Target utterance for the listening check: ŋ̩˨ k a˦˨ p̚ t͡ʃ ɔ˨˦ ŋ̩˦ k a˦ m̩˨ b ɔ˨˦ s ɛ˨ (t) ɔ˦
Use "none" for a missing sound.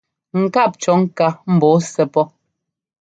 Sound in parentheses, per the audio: p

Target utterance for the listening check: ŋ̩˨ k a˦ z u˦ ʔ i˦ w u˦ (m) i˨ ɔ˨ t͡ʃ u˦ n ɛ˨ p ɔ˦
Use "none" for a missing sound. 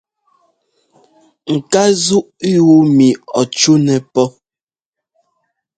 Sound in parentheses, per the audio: m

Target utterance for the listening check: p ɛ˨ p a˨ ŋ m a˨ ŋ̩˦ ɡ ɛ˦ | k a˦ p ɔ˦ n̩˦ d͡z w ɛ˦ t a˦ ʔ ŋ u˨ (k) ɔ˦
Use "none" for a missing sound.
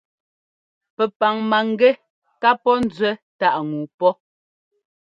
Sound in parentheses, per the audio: p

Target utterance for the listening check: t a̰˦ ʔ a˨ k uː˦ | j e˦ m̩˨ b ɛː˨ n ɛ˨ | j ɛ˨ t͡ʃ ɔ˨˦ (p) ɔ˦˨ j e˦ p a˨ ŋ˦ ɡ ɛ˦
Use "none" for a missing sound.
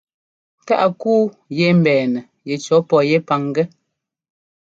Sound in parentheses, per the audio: p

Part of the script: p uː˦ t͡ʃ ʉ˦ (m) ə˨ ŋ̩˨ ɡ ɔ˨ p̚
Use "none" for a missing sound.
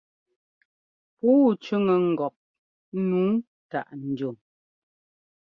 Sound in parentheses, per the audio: ŋ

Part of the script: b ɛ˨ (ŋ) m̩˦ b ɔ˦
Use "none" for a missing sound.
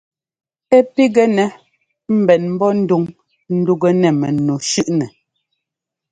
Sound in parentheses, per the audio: n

